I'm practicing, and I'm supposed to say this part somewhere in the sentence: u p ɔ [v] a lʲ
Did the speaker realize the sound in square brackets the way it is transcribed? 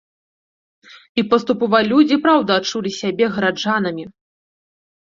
yes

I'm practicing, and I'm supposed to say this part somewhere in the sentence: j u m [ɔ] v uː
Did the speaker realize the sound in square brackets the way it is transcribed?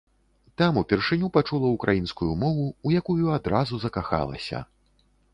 yes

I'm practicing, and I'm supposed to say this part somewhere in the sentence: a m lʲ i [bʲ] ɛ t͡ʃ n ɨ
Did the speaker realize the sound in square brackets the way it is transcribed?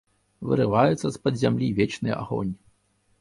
no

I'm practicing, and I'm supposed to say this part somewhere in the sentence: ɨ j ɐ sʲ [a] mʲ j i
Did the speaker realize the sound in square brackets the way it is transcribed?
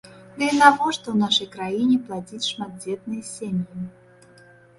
no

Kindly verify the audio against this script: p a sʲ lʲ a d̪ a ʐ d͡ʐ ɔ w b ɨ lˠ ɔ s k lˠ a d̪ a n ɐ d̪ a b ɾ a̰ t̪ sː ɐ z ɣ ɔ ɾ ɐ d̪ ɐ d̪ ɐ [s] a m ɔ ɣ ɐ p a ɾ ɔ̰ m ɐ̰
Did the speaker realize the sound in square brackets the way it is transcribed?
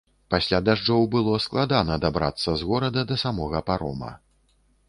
yes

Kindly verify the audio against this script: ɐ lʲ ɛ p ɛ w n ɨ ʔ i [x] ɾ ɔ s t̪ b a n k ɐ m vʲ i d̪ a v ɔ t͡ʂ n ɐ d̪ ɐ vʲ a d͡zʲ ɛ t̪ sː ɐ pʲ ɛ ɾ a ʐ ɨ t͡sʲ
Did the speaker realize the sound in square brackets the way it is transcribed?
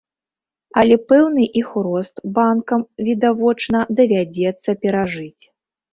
yes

